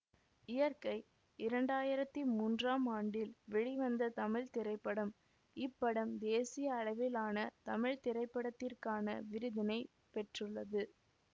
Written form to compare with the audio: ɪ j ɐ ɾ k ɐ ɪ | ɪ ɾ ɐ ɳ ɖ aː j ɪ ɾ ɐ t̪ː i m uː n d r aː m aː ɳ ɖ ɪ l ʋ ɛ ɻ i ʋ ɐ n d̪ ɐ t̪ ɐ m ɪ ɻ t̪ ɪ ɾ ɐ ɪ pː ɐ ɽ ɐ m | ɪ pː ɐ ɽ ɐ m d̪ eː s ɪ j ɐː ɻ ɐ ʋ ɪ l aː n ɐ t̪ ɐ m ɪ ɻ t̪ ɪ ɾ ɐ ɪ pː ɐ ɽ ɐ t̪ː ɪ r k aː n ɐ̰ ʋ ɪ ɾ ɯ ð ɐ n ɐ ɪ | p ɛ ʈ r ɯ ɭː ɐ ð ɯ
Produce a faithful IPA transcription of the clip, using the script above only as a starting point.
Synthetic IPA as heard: ɪ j ɐ ɾ k ɐ ɪ | ɪ ɾ ɐ ɳ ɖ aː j ɪ ɾ ɐ t̪ː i m uː n d r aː m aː ɳ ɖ ɪ l ʋ ɛ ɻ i ʋ ɐ n d̪ ɐ t̪ ɐ m ɪ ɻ t̪ ɪ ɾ ɐ ɪ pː ɐ ɽ ɐ m | ɪ pː ɐ ɽ ɐ m d̪ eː s ɪ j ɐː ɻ ɐ ʋ ɪ l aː n ɐ t̪ ɐ m ɪ ɻ t̪ ɪ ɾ ɐ ɪ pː ɐ ɽ ɐ t̪ː ɪ r k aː n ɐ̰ ʋ ɪ ɾ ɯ ð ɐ n ɐ ɪ | p ɛ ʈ r ɯ ɭː ɐ ð ɯ